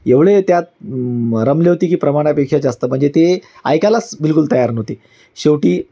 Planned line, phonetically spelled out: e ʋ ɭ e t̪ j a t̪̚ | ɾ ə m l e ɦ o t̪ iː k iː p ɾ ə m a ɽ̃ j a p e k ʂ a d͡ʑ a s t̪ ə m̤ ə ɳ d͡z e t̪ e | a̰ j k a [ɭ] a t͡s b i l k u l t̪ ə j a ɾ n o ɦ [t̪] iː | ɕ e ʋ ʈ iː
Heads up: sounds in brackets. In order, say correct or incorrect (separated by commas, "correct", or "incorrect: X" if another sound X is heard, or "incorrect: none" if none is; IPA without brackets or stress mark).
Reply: incorrect: l, correct